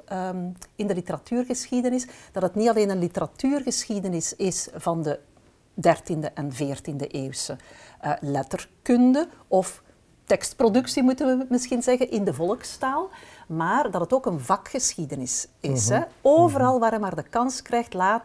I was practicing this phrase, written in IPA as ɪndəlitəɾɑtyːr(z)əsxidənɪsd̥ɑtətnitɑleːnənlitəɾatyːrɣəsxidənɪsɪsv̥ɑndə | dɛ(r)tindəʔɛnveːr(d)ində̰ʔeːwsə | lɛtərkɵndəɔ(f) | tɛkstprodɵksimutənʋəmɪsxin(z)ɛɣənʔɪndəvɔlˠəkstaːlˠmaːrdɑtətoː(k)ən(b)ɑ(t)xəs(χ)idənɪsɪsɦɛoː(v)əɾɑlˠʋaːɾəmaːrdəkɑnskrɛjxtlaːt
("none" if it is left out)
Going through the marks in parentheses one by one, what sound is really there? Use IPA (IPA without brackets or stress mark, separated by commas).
ɣ, r, t, f, z, k, v, k, x, v